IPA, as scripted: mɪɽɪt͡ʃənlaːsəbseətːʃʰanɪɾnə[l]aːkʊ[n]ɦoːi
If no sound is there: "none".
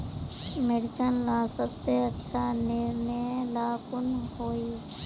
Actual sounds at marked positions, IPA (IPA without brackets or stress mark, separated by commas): l, n